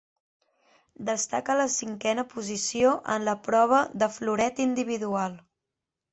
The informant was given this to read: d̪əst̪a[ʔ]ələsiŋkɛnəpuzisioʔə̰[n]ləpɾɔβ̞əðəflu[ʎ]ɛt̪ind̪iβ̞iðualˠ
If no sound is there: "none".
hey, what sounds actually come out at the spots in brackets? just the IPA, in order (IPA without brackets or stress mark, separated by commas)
k, n, ɾ